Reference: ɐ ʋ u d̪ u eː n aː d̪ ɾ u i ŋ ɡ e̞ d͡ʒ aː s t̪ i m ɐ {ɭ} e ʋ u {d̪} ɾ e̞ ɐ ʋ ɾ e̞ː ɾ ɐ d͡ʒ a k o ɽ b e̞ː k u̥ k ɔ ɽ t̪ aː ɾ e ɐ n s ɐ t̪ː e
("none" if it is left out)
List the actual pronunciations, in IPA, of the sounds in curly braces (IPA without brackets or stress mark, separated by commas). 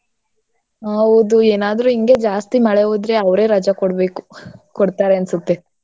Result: ɭ, d̪